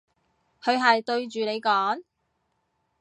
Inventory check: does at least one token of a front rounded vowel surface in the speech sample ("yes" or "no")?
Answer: yes